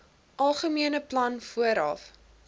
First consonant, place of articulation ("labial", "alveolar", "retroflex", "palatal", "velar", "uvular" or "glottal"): glottal